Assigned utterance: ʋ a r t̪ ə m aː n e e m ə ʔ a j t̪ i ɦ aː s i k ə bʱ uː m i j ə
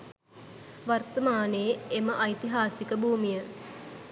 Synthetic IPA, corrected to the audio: ʋ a r t̪ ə m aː n e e m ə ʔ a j t̪ i ɦ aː s i k ə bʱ uː m i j ə